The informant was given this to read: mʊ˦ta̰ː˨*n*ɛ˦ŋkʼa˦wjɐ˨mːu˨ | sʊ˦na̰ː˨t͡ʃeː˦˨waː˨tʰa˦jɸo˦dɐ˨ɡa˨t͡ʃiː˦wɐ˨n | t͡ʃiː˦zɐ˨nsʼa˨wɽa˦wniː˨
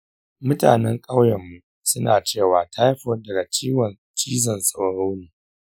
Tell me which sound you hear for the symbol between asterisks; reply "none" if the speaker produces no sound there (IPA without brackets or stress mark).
n